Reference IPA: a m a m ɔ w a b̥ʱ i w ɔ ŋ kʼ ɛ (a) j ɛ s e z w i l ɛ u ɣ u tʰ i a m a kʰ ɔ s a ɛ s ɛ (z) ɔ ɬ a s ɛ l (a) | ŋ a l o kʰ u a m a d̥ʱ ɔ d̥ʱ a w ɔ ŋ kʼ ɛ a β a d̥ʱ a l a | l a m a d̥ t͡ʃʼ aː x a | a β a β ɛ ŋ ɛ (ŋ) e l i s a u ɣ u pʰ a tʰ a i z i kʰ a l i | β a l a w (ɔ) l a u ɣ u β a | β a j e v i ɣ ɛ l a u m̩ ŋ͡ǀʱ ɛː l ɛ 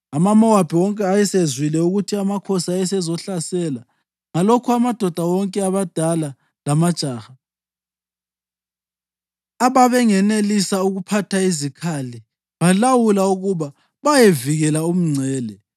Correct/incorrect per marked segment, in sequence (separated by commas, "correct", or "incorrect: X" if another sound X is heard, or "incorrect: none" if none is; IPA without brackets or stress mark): correct, correct, correct, incorrect: n, incorrect: u